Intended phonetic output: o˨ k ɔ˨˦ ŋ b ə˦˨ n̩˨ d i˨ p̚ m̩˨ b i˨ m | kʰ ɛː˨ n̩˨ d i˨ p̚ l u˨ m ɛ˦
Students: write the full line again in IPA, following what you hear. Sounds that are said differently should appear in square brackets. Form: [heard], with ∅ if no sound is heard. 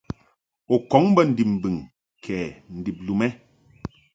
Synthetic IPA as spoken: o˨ k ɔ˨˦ ŋ b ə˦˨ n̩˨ d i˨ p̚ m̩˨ b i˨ [ŋ] | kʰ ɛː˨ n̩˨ d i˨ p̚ l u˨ m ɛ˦